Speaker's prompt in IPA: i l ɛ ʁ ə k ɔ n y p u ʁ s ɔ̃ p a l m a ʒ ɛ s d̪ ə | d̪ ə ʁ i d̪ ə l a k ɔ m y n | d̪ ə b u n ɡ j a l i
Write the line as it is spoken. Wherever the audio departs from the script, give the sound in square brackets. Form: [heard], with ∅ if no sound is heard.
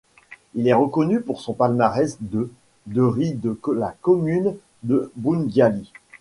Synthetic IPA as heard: i l ɛ ʁ ə k ɔ n y p u ʁ s ɔ̃ p a l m a [ʁ] ɛ s d̪ ə | d̪ ə ʁ i d̪ ə l a k ɔ m y n | d̪ ə b u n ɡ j a l i